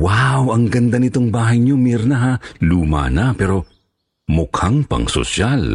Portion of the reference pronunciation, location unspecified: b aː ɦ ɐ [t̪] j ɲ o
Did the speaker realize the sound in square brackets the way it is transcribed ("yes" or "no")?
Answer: no